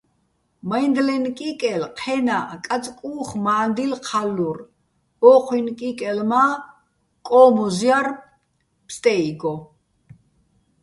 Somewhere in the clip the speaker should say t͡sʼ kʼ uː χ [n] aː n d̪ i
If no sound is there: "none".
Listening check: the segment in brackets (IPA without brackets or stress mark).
m